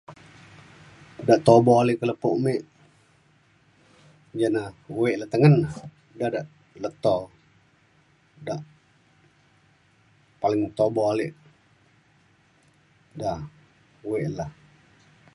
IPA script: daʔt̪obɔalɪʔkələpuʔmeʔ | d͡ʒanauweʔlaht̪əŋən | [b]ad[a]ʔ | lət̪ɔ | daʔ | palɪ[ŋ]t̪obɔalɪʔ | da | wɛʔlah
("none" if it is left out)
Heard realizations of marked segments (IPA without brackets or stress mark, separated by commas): d, a, ŋ